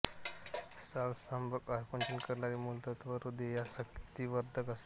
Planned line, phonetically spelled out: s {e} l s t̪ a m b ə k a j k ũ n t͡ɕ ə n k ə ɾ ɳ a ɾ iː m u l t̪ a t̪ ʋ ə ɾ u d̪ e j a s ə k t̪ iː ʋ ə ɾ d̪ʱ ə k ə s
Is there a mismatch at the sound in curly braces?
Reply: yes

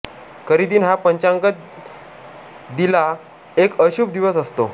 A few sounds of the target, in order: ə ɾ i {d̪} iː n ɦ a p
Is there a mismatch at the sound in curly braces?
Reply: no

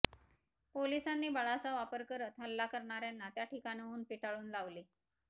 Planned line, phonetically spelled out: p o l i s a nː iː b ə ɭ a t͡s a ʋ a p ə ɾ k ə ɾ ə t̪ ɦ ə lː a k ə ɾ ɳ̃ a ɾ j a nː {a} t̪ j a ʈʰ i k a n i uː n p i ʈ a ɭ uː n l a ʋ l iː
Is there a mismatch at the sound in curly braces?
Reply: no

